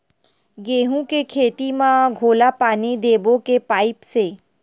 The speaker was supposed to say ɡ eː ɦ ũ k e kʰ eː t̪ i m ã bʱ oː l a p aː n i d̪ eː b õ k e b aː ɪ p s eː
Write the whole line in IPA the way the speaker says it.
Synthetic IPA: ɡ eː ɦ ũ k e kʰ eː t̪ i m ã ɡʱ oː l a p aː n i d̪ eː b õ k e p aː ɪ p s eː